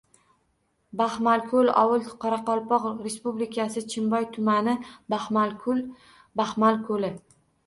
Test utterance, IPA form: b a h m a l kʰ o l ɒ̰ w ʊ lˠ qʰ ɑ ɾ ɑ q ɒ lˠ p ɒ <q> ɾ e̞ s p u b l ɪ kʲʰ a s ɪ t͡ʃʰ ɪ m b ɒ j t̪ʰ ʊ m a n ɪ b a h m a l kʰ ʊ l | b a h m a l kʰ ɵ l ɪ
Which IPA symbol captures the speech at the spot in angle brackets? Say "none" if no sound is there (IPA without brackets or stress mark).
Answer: q